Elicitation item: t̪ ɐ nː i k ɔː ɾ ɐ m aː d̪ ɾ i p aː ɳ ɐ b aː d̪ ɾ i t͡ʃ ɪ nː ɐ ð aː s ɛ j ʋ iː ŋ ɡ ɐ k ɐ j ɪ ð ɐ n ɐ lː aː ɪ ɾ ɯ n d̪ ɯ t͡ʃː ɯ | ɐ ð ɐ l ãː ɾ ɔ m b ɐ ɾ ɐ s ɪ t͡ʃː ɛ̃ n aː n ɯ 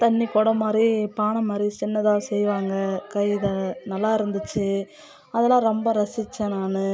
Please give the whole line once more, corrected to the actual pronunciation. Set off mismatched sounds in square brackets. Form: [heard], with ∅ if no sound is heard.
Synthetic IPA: t̪ ɐ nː i k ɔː [ɽ] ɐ m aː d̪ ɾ i p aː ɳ ɐ [m] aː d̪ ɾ i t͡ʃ ɪ nː ɐ ð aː s ɛ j ʋ [aː] ŋ ɡ ɐ k ɐ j ɪ ð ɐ n ɐ lː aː ɪ ɾ ɯ n d̪ ɯ t͡ʃː ɯ | ɐ ð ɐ l ãː ɾ ɔ m b ɐ ɾ ɐ s ɪ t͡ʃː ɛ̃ n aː n ɯ

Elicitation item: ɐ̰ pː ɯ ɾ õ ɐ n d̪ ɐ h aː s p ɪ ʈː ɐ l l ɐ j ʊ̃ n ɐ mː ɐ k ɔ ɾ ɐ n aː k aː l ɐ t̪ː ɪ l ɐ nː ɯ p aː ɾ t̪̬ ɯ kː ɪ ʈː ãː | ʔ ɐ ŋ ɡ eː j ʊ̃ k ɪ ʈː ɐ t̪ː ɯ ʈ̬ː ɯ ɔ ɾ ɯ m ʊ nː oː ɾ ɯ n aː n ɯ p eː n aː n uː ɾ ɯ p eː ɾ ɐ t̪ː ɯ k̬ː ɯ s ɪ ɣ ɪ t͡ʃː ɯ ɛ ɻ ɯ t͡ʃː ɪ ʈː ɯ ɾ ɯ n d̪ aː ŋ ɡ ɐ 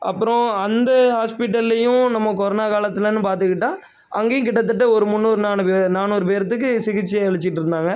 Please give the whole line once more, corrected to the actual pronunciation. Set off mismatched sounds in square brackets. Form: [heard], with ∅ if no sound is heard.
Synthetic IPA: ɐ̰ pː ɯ ɾ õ ɐ n d̪ ɐ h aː s p ɪ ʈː ɐ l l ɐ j ʊ̃ n ɐ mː ɐ k ɔ ɾ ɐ n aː k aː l ɐ t̪ː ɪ l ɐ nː ɯ p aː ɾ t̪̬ ɯ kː ɪ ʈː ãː | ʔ ɐ ŋ ɡ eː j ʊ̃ k ɪ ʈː ɐ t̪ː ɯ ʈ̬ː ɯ ɔ ɾ ɯ m ʊ nː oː ɾ ɯ n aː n ɯ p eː n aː n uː ɾ ɯ p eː ɾ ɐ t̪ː ɯ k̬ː ɯ s ɪ ɣ ɪ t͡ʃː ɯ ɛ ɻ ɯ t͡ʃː ɪ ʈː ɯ ɾ ɯ n d̪ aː ŋ ɡ ɐ

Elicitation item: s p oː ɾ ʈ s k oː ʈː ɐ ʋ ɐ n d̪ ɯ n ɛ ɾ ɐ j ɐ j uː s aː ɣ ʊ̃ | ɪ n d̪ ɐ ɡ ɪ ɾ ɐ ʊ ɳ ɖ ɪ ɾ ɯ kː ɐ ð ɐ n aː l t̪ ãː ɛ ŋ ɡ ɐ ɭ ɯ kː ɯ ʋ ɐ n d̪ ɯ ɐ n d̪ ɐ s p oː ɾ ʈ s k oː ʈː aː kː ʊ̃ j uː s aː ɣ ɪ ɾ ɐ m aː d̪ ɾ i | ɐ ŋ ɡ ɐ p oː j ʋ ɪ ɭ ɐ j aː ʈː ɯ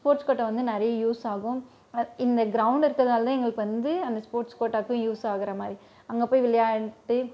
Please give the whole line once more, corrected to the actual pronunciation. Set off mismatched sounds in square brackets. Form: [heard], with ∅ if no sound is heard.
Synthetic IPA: s p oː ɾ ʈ s k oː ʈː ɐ ʋ ɐ n d̪ ɯ n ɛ ɾ ɐ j ɐ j uː s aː ɣ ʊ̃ | ɪ n d̪ ɐ ɡ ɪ ɾ ɐ ʊ ɳ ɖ ɪ ɾ ɯ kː ɐ ð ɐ n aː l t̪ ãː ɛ ŋ ɡ ɐ ɭ ɯ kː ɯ ʋ ɐ n d̪ ɯ ɐ n d̪ ɐ s p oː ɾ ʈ s k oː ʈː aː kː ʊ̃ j uː s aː ɣ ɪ ɾ ɐ m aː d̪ ɾ i | ɐ ŋ ɡ ɐ p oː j ʋ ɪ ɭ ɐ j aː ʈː ɯ

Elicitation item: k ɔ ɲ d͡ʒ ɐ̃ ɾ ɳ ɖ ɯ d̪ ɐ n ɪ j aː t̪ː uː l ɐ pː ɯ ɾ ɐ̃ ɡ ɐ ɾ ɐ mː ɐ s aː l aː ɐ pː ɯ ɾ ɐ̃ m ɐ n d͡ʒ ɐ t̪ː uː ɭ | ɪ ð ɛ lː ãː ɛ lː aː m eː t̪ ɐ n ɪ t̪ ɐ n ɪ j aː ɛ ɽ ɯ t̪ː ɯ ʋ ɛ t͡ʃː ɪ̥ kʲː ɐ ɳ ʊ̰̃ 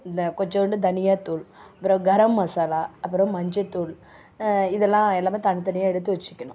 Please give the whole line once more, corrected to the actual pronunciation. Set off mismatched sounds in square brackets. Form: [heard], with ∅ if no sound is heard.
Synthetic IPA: k ɔ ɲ d͡ʒ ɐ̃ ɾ ɳ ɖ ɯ d̪ ɐ n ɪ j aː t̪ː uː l ɐ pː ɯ ɾ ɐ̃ ɡ ɐ ɾ ɐ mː ɐ s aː l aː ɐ pː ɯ ɾ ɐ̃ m ɐ [ɲ] d͡ʒ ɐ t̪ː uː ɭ | ɪ ð ɛ lː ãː ɛ lː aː m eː t̪ ɐ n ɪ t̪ ɐ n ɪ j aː ɛ ɽ ɯ t̪ː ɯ ʋ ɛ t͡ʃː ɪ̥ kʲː ɐ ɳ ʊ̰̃

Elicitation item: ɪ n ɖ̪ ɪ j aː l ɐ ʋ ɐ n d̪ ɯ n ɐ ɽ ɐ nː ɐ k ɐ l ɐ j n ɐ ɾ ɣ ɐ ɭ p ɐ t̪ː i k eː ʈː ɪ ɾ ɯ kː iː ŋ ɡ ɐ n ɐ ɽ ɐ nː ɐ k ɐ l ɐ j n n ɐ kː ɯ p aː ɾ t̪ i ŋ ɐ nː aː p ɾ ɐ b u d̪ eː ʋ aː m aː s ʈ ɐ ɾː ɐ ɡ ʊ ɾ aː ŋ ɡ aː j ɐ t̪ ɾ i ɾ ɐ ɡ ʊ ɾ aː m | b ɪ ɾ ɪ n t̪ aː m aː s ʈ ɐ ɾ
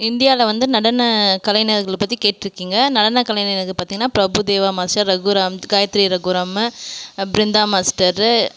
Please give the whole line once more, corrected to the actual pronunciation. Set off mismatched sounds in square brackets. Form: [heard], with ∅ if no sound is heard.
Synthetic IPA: ɪ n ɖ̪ ɪ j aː l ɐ ʋ ɐ n d̪ ɯ n ɐ ɽ ɐ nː ɐ k ɐ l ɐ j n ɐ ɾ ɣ ɐ ɭ p ɐ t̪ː i k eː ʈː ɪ ɾ ɯ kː iː ŋ ɡ ɐ n ɐ ɽ ɐ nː ɐ k ɐ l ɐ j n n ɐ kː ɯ p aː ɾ t̪ i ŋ ɐ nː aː p ɾ ɐ b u d̪ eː ʋ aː m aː s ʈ ɐ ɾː ɐ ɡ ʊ ɾ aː [m] ɡ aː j ɐ t̪ ɾ i ɾ ɐ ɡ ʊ ɾ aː m | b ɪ ɾ ɪ n [d̪] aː m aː s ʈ ɐ ɾ

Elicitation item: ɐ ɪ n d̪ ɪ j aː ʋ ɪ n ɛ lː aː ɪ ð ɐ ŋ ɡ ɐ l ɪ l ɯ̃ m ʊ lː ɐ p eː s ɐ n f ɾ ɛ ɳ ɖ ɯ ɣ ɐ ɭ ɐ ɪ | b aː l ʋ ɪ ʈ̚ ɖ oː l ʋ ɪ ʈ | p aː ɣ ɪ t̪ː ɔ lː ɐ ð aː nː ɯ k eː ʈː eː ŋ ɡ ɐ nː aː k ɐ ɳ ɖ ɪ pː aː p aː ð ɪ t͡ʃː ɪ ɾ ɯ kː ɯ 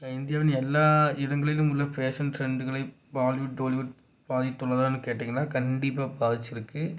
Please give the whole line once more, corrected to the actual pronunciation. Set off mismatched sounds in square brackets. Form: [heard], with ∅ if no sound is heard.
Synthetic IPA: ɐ ɪ n d̪ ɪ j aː ʋ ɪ n ɛ lː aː ɪ ð ɐ ŋ ɡ ɐ [ɭ] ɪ l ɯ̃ m ʊ lː ɐ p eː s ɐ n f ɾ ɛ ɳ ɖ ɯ ɣ ɐ ɭ ɐ ɪ | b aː l ʋ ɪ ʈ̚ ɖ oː l ʋ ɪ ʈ | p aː [ð] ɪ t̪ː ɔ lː ɐ ð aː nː ɯ k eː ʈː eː ŋ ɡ ɐ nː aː k ɐ ɳ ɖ ɪ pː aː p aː ð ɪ t͡ʃː ɪ ɾ ɯ kː ɯ

